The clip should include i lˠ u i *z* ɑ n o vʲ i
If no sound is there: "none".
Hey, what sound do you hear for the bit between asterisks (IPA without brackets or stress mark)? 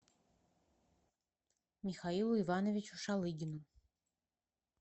v